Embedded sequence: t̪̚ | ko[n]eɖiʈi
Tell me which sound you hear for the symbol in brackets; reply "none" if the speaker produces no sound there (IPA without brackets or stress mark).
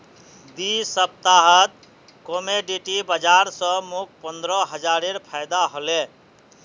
m